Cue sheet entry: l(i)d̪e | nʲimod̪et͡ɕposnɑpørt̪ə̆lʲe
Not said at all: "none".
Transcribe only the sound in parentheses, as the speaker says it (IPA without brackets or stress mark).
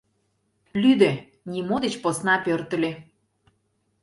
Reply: y